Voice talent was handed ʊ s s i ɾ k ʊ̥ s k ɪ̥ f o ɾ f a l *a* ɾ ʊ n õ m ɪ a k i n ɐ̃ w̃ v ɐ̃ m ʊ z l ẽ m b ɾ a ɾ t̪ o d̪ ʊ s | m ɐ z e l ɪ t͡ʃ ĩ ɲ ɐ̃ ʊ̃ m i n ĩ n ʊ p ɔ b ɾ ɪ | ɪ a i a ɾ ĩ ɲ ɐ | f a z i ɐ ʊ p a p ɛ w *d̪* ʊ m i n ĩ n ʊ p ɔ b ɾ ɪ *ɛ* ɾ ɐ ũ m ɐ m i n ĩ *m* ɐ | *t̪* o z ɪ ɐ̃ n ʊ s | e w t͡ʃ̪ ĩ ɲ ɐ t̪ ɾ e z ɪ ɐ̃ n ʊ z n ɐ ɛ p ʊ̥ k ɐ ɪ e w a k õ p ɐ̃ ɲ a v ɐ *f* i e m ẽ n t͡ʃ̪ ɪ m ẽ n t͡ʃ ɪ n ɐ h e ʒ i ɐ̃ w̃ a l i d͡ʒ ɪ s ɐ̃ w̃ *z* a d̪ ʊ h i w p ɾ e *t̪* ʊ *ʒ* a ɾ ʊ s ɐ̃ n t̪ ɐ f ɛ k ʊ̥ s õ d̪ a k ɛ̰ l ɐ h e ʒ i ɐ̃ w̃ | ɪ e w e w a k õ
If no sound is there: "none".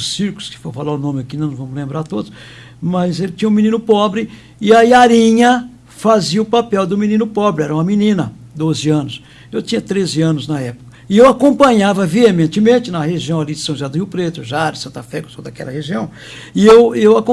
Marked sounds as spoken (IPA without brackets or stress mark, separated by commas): a, d̪, ɛ, n, d̪, v, ʒ, t̪, ʒ